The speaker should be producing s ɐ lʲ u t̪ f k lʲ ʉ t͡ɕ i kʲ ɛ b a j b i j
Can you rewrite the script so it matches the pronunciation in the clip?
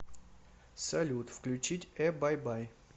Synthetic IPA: s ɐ lʲ u t̪ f k lʲ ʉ t͡ɕ i tʲ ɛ b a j b a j